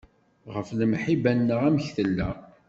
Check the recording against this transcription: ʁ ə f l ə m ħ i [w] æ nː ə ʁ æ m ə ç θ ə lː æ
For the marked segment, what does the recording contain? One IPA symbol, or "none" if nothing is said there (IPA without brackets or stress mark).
b